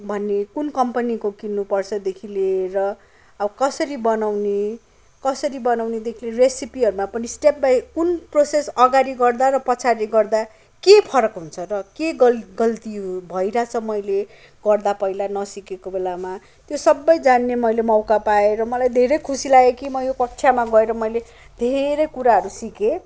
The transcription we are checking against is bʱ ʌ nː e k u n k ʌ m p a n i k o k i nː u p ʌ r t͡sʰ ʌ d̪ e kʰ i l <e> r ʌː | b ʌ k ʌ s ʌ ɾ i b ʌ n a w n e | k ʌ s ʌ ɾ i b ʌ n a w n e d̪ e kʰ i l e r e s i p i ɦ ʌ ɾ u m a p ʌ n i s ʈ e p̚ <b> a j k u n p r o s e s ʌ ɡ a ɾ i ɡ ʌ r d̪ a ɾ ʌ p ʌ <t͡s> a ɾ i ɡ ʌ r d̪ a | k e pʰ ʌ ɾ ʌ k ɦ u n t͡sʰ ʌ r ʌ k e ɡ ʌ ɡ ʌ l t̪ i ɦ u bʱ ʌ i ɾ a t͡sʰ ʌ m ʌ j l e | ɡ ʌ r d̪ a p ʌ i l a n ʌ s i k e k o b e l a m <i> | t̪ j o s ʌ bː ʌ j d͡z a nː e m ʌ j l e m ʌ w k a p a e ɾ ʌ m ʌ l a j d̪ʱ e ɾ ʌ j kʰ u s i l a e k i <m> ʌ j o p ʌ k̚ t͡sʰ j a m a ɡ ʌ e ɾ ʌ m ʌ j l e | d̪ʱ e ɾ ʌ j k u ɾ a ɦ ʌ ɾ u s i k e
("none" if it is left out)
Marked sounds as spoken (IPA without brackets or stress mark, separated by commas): e, b, t͡sʰ, a, m